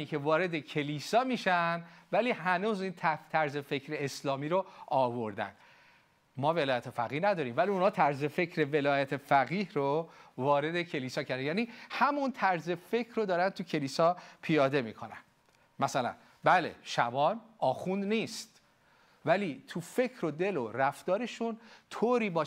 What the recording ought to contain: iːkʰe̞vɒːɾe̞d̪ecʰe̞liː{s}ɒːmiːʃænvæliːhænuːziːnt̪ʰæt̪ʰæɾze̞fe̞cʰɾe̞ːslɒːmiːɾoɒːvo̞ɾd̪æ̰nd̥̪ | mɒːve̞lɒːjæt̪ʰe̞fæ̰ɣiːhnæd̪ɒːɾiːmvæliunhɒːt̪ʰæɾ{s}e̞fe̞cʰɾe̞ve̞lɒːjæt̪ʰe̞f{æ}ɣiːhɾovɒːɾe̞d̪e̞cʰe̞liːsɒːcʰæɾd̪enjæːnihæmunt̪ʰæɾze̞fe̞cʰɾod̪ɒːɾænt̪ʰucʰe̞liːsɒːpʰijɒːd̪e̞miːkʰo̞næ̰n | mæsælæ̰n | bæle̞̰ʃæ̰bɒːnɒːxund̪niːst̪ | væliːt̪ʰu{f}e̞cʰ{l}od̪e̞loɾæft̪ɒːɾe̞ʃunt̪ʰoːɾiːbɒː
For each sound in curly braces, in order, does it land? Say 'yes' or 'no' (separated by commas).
yes, no, yes, yes, no